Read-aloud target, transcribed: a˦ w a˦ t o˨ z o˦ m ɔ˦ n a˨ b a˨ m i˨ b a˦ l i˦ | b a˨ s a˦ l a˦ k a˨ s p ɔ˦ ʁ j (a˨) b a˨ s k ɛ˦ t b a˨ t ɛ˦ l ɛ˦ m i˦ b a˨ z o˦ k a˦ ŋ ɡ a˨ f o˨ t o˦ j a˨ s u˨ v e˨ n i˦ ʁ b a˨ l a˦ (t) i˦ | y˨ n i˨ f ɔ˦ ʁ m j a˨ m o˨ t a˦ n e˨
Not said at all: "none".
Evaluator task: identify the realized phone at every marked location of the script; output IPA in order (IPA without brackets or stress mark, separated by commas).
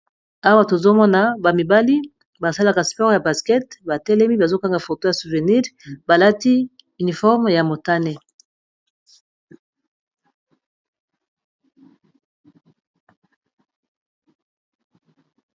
a˨, t